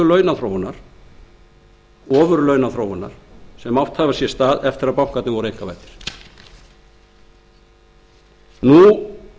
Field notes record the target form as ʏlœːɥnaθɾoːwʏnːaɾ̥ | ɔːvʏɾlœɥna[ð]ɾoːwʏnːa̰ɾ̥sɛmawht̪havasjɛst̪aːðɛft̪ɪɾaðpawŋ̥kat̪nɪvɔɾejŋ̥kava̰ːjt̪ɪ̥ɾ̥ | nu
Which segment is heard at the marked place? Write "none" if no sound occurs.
θ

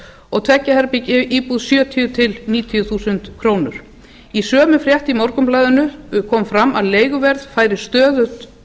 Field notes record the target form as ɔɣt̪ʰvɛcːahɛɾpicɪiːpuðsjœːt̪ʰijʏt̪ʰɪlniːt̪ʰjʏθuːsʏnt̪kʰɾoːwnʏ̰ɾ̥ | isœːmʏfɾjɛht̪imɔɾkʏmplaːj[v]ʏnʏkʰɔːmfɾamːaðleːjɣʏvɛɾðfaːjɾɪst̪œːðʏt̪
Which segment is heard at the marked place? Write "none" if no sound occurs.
ð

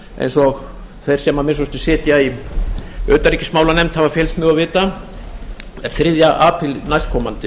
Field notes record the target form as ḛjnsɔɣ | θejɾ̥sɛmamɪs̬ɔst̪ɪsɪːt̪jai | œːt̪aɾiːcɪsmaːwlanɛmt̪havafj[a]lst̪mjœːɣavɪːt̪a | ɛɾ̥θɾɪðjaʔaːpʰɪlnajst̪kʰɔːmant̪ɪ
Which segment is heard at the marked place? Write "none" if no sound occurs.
ɛ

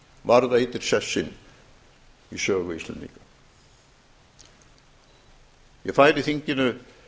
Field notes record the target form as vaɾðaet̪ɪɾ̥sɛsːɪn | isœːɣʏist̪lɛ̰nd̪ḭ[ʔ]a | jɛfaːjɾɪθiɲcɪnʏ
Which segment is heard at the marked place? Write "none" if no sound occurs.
k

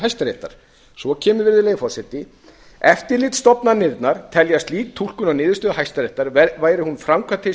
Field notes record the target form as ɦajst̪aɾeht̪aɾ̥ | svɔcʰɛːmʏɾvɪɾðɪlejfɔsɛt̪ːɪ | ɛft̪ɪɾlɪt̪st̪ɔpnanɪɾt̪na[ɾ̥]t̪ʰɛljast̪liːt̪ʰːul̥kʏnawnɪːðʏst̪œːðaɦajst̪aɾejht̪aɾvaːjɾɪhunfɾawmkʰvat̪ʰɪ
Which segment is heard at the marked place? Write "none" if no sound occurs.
ɾ̥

